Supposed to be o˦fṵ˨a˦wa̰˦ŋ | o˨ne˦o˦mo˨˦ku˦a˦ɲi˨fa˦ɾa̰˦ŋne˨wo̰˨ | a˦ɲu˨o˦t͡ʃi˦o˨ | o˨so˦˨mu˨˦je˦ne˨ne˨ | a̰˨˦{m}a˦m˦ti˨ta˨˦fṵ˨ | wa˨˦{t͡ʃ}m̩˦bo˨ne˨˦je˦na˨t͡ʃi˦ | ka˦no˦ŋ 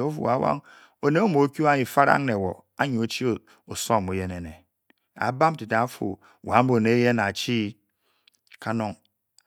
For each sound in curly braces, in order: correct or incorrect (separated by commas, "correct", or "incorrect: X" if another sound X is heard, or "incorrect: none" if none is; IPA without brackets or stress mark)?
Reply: incorrect: b, incorrect: none